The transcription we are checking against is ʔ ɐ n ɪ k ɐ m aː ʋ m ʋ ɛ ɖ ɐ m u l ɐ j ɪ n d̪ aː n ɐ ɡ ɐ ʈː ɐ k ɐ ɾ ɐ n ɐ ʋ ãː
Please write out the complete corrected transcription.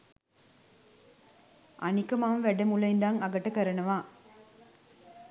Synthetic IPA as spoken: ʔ ɐ n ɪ k ɐ m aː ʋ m ʋ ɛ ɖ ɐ m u l ɐ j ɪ n d̪ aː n ɐ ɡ ɐ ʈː ɐ k ɐ ɾ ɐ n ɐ ʋ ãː

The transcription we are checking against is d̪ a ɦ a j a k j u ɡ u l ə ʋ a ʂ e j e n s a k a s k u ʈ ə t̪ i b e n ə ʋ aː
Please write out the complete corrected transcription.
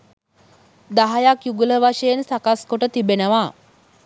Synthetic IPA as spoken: d̪ a ɦ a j a k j u ɡ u l ə ʋ a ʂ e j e n s a k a s k o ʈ ə t̪ i b e n ə ʋ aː

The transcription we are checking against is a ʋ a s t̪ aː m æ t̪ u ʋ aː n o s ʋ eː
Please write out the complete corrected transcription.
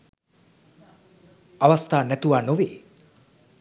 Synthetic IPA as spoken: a ʋ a s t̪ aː n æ t̪ u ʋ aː n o ʋ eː

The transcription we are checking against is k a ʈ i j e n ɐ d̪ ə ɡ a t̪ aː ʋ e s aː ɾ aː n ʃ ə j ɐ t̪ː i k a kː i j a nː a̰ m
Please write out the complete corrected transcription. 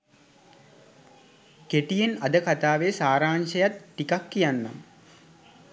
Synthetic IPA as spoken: k e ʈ i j e n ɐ d̪ ə k a t̪ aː ʋ e s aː ɾ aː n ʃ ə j a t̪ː i k a kː i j a nː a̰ m

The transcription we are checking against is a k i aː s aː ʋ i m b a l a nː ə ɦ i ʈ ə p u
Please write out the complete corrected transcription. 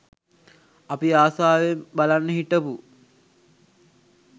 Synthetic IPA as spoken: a p i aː s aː ʋ e m b a l a nː ə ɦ i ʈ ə p u

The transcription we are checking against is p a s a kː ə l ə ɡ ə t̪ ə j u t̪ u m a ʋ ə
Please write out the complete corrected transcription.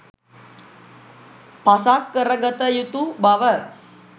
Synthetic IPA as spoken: p a s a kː ə ɾ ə ɡ ə t̪ ə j u t̪ u b a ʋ ə

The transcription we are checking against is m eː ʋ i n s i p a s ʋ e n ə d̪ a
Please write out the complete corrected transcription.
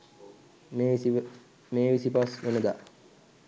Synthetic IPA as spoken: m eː ʋ i s i p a s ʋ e n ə d̪ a

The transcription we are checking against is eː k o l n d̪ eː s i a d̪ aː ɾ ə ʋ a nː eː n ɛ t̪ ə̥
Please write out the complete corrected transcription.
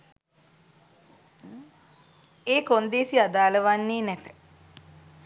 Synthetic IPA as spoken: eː k o n d̪ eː s i a d̪ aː l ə ʋ a nː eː n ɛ t̪ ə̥

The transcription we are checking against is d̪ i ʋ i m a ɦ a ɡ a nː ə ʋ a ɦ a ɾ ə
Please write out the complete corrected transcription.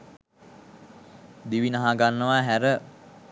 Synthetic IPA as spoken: d̪ i ʋ i n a ɦ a ɡ a nː ə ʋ a ɦ æ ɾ ə

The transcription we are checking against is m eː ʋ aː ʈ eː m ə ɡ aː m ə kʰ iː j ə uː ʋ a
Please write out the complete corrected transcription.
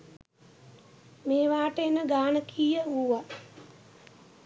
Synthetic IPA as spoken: m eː ʋ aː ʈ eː n ə ɡ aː n ə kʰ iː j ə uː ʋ a

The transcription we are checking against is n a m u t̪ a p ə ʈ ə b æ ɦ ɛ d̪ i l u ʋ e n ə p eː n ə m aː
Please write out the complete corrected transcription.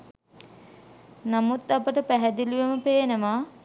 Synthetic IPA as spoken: n a m u t̪ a p ə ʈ ə p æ ɦ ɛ d̪ i l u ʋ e m ə p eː n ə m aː

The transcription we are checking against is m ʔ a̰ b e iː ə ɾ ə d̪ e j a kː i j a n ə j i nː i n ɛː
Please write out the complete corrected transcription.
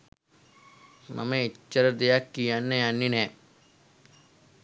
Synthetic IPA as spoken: m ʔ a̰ m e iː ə ɾ ə d̪ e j a kː i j a nː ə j a nː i n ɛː

